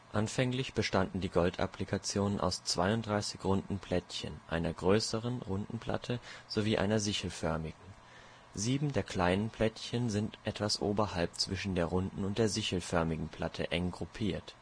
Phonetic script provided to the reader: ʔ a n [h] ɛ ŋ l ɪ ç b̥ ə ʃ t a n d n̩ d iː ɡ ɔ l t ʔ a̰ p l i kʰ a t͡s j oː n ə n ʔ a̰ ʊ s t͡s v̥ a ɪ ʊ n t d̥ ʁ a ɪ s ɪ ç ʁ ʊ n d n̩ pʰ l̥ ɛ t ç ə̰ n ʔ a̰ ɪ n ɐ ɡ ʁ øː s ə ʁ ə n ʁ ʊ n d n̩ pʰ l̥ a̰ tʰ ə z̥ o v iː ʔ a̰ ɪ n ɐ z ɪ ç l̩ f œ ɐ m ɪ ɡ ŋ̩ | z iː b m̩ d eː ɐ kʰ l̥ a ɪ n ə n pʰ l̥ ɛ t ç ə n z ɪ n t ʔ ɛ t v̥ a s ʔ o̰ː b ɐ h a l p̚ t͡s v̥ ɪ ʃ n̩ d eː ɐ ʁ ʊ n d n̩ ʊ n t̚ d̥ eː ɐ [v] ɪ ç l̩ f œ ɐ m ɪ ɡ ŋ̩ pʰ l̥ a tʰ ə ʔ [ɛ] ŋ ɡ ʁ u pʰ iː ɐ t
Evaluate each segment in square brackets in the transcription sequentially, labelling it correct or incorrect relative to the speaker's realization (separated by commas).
incorrect, incorrect, correct